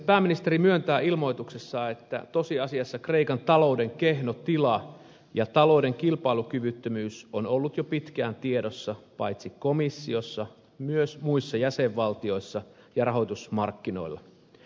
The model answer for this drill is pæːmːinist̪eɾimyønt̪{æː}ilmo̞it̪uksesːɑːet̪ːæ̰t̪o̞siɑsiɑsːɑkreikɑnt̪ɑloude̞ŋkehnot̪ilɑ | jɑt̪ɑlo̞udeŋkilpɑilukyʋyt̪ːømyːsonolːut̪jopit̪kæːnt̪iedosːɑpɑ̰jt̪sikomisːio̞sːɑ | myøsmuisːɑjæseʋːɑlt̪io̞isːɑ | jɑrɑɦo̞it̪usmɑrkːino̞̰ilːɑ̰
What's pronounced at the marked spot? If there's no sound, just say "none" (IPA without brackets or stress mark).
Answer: æː